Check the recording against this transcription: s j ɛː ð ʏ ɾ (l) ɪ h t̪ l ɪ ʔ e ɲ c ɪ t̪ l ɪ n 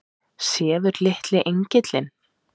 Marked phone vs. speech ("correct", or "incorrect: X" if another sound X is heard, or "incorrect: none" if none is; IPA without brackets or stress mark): correct